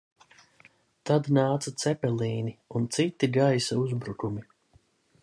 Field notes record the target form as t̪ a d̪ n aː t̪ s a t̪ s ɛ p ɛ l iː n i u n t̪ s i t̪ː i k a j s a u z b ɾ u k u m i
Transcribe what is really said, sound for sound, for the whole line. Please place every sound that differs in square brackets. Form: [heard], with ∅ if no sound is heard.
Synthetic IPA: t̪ a d̪ n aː t̪ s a t̪ s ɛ p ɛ l iː n i u n t̪ s i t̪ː i [ɡ] a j s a u z b ɾ u k u m i